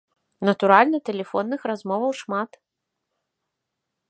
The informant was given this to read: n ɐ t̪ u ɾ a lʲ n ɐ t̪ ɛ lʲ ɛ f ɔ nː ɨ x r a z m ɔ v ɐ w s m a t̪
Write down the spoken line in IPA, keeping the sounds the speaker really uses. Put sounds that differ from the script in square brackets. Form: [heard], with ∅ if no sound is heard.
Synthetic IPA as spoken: n ɐ t̪ u ɾ a lʲ n ɐ t̪ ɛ lʲ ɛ f ɔ nː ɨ x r a z m ɔ v ɐ w [ʂ] m a t̪